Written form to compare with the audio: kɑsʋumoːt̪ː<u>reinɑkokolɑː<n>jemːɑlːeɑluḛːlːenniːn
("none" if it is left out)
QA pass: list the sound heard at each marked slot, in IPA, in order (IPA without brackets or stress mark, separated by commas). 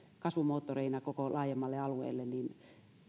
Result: o, none